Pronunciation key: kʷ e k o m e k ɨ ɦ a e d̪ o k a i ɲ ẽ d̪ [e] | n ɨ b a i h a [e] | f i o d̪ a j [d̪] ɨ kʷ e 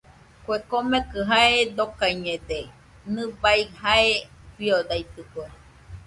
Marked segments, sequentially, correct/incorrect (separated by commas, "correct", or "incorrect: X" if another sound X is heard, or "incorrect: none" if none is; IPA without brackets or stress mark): correct, correct, incorrect: t̪